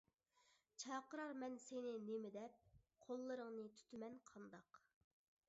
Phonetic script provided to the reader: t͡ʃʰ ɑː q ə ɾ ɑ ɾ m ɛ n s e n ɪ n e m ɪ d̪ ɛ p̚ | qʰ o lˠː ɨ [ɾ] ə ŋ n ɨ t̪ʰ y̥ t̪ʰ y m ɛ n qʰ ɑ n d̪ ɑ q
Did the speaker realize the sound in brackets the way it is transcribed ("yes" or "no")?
yes